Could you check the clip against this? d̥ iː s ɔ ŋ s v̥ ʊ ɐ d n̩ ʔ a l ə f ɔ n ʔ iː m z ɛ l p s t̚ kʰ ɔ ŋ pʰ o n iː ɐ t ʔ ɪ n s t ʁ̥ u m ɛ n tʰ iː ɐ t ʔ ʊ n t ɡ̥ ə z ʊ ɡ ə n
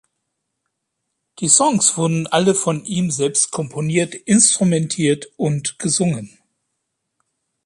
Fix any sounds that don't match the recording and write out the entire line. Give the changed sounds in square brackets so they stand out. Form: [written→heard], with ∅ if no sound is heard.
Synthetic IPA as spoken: d̥ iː s ɔ ŋ s v̥ ʊ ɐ d n̩ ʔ a l ə f ɔ n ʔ iː m z ɛ l p s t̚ kʰ ɔ [ŋ→m] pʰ o n iː ɐ t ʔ ɪ n s t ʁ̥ u m ɛ n tʰ iː ɐ t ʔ ʊ n t ɡ̥ ə z ʊ [ɡ→ŋ] ə n